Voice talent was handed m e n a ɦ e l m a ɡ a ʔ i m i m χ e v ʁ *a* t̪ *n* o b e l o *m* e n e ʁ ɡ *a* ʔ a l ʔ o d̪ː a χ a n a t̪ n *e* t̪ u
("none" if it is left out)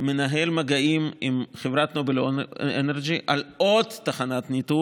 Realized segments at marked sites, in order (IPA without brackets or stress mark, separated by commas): a, n, none, i, i